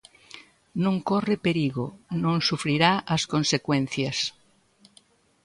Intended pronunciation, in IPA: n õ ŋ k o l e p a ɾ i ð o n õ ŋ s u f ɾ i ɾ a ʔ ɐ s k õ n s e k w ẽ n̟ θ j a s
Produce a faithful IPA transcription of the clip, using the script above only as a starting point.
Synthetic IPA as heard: n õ ŋ k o r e p e ɾ i ɣ o n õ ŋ s u f ɾ i ɾ a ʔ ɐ s k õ n s e k w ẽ n̟ θ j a s